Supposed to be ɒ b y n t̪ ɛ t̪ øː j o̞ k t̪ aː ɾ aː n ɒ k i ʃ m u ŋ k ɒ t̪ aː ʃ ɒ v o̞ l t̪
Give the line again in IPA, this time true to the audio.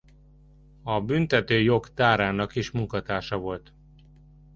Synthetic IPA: ɒ b y n t̪ ɛ t̪ øː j o̞ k t̪ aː ɾ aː n ɒ k i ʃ m u ŋ k ɒ t̪ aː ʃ ɒ v o̞ l t̪

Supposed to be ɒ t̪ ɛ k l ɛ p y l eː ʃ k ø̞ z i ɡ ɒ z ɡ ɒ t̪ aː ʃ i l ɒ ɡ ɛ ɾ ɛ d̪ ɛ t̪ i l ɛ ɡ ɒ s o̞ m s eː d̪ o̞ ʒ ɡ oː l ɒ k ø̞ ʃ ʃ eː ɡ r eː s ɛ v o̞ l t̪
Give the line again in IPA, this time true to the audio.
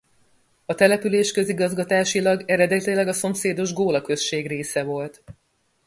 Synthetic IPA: ɒ t̪ ɛ l ɛ p y l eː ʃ k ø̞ z i ɡ ɒ z ɡ ɒ t̪ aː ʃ i l ɒ ɡ ɛ ɾ ɛ d̪ ɛ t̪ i l ɛ ɡ ɒ s o̞ m s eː d̪ o̞ ʒ ɡ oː l ɒ k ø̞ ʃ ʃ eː ɡ r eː s ɛ v o̞ l t̪

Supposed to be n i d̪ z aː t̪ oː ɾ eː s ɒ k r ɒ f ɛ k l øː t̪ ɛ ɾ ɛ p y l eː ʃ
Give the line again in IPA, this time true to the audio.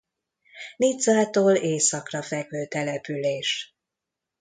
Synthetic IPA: n i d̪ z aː t̪ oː l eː s ɒ k r ɒ f ɛ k l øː t̪ ɛ l ɛ p y l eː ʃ

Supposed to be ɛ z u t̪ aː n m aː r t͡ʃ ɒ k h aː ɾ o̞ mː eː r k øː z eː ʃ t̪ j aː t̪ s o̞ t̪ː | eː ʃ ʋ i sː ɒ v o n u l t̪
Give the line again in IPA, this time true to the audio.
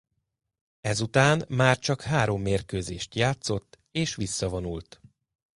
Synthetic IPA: ɛ z u t̪ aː n m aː r t͡ʃ ɒ k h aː ɾ o̞ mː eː r k øː z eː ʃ t̪ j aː t̪ s o̞ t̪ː | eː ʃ ʋ i sː ɒ v o n u l t̪

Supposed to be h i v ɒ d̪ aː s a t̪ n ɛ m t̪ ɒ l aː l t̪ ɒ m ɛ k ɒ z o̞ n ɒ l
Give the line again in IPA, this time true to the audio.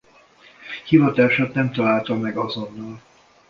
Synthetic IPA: h i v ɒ t̪ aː ʃ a t̪ n ɛ m t̪ ɒ l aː l t̪ ɒ m ɛ ɡ ɒ z o̞ nː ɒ l

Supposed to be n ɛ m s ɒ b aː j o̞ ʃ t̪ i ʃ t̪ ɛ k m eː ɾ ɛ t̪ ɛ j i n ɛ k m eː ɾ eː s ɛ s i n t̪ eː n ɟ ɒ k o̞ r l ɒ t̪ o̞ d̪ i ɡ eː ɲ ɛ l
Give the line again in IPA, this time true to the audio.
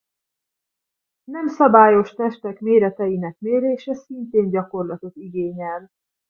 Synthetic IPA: n ɛ m s ɒ b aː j o̞ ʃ t̪ ɛ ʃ t̪ ɛ k m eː ɾ ɛ t̪ ɛ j i n ɛ k m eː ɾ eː ʃ ɛ s i n t̪ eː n ɟ ɒ k o̞ r l ɒ t̪ o̞ t̪ i ɡ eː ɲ ɛ l

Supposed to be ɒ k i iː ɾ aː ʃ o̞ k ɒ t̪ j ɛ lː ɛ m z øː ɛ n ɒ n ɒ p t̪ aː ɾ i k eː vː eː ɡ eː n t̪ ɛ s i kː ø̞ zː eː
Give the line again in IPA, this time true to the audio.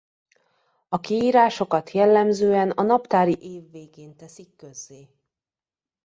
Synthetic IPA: ɒ k i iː ɾ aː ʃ o̞ k ɒ t̪ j ɛ lː ɛ m z øː ɛ n ɒ n ɒ p t̪ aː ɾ i ʔ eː vː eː ɡ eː n t̪ ɛ s i kː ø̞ zː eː

